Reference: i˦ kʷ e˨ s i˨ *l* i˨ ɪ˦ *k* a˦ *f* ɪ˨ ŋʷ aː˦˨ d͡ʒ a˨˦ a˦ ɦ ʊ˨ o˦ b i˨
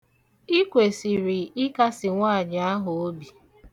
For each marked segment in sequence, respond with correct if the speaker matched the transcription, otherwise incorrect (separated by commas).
incorrect, correct, incorrect